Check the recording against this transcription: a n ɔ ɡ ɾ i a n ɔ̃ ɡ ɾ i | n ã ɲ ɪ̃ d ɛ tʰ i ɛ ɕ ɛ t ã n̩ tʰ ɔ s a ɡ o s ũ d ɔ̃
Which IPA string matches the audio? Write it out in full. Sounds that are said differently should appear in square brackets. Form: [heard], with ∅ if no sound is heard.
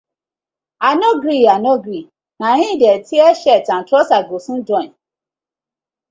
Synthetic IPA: a n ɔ ɡ ɾ i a n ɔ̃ ɡ ɾ i | n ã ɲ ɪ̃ d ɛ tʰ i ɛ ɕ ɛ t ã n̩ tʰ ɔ s a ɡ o s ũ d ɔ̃